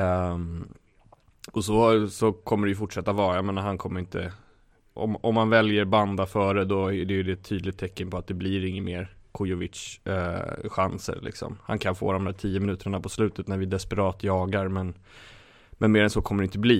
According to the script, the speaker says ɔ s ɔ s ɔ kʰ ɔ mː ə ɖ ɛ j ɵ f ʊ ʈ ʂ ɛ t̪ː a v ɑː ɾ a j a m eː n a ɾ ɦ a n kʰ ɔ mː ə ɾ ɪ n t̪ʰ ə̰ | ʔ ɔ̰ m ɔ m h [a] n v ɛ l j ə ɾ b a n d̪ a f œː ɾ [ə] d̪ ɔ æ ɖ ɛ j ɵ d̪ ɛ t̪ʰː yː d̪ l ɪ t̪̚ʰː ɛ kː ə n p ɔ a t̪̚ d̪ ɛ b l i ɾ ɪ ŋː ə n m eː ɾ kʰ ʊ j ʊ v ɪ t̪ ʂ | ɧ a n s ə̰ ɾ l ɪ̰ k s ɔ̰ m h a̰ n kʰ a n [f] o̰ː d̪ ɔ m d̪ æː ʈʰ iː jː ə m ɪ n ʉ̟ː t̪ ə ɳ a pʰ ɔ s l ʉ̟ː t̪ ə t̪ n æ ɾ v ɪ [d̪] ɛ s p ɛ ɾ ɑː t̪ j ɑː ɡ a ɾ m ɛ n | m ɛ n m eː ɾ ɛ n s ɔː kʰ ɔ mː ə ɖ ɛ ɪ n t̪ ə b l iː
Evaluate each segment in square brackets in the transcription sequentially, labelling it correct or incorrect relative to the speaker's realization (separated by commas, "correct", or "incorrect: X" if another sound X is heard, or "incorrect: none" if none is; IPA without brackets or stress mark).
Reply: correct, correct, correct, correct